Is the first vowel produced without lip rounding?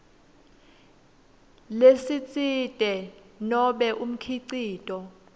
yes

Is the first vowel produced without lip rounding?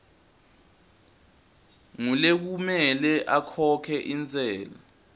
no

